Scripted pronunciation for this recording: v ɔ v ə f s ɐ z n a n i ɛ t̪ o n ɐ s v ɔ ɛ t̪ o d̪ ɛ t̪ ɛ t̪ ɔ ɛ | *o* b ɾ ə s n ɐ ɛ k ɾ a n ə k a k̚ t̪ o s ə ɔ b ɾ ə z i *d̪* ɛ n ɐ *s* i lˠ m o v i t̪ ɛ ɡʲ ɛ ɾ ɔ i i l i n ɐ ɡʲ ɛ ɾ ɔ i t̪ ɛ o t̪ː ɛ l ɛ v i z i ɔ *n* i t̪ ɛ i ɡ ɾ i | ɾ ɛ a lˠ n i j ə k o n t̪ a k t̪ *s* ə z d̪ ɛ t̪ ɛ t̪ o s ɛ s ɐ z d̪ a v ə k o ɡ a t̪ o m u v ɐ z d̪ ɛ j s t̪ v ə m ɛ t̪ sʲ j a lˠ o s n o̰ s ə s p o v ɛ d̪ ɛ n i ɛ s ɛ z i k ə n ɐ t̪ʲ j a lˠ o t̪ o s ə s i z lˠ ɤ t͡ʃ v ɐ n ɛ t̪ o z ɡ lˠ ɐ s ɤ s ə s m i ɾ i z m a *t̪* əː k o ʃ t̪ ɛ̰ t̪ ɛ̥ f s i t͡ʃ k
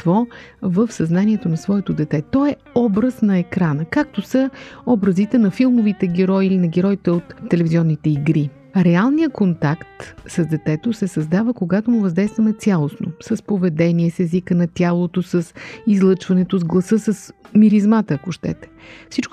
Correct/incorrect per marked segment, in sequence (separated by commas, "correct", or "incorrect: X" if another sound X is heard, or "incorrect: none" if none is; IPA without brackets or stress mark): incorrect: ɔ, incorrect: t̪, incorrect: f, incorrect: nː, correct, correct